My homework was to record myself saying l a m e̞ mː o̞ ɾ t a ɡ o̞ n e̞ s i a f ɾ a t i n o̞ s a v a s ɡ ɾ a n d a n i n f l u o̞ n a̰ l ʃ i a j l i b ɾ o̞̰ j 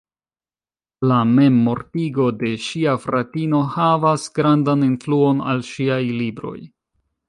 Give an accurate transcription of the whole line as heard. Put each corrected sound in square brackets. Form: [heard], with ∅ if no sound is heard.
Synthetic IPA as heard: l a m e̞ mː o̞ ɾ t [i] ɡ o̞ [d] e̞ [ʃ] i a f ɾ a t i n o̞ [h] a v a s ɡ ɾ a n d a n i n f l u o̞ n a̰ l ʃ i a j l i b ɾ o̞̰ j